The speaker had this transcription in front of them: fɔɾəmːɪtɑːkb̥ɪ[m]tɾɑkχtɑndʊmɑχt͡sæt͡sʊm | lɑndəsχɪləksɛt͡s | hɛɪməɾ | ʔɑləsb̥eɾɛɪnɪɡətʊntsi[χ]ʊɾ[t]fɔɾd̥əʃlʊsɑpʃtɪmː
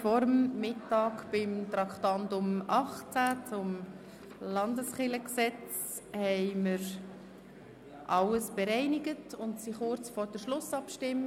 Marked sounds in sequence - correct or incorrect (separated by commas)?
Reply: correct, correct, incorrect